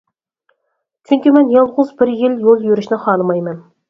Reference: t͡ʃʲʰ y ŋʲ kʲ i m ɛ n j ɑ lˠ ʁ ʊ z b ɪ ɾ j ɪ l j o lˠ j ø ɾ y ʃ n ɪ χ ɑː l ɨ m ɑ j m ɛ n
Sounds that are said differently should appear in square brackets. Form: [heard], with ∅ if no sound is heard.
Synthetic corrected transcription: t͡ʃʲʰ y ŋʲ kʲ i m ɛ n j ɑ lˠ ʁ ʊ z b ɪ ɾ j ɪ l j o lˠ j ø ɾ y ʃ n ɪ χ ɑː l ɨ m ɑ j m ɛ n